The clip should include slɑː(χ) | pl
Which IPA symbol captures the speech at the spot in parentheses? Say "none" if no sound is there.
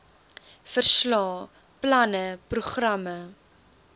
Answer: none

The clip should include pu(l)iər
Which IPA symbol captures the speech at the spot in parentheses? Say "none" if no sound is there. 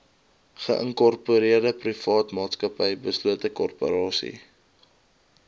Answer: ɾ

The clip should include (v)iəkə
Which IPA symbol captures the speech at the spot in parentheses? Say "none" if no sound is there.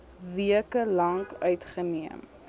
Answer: v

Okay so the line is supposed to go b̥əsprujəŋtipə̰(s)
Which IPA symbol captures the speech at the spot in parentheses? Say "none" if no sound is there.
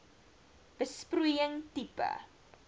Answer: none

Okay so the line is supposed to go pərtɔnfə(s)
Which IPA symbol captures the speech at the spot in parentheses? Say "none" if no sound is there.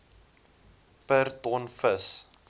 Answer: s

